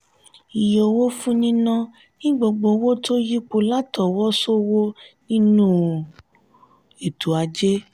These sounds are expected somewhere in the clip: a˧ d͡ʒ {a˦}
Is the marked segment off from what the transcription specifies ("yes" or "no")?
yes